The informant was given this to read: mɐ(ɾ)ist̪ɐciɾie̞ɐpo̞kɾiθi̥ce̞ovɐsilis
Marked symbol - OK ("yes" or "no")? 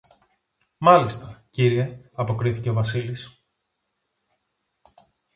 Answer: no